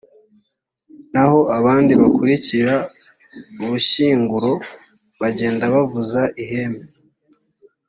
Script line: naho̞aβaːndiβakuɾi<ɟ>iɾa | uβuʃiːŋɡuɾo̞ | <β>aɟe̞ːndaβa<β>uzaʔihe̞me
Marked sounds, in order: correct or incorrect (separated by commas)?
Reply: incorrect, correct, incorrect